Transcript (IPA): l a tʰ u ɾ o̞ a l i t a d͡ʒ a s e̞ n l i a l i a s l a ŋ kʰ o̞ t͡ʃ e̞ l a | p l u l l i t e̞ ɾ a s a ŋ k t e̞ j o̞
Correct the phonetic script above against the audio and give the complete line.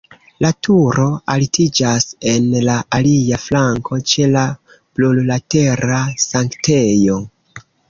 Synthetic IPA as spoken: l a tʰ u ɾ o̞ a l i t i d͡ʒ a s e̞ n l a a l i a f l a ŋ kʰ o̞ t͡ʃ e̞ l a | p l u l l a t e̞ ɾ a s a ŋ k t e̞ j o̞